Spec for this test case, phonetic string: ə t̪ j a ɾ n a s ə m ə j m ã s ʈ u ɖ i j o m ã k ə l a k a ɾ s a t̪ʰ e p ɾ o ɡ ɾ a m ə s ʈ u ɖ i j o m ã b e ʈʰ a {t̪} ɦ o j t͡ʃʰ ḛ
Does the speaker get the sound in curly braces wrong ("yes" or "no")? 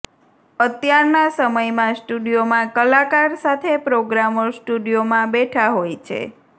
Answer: yes